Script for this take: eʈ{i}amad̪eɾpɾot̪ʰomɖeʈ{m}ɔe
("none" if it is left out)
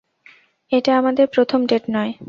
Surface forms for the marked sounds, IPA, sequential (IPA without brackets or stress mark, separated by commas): a, n